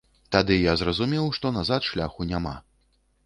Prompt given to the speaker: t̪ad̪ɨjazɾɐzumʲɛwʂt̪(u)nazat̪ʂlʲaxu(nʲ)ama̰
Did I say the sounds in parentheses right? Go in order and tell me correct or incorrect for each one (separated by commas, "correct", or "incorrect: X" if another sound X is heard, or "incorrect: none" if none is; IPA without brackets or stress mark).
incorrect: ɔ, correct